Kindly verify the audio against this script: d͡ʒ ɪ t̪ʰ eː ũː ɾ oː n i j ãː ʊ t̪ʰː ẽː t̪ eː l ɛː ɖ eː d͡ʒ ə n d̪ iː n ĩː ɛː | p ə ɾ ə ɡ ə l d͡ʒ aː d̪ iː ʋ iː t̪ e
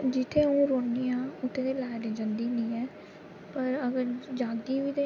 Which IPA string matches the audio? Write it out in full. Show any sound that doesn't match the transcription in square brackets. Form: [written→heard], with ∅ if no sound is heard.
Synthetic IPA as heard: d͡ʒ ɪ t̪ʰ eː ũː ɾ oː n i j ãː ʊ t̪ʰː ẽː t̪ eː l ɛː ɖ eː d͡ʒ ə n d̪ iː n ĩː ɛː | p ə ɾ ə ɡ ə [l→ɾ] d͡ʒ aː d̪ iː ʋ iː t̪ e